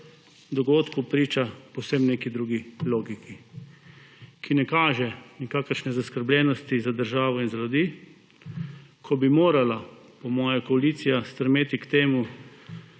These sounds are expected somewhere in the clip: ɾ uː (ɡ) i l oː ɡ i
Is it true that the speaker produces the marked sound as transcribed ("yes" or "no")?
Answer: yes